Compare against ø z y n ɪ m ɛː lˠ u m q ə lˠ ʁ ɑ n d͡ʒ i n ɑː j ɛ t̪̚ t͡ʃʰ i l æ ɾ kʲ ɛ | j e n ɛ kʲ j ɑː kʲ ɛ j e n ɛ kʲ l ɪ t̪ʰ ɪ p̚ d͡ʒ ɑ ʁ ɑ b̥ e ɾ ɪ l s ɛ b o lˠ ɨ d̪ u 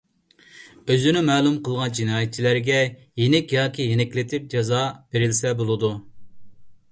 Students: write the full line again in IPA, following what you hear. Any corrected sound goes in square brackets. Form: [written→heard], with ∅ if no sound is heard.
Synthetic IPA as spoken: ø z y n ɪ m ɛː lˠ u m q ə lˠ ʁ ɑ n d͡ʒ i n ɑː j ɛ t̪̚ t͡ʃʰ i l æ ɾ [kʲ→ɡʲ] ɛ | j e n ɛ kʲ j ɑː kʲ [ɛ→i] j e n ɛ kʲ l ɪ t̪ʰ ɪ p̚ d͡ʒ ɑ [ʁ→z] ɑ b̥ e ɾ ɪ l s ɛ b o lˠ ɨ d̪ u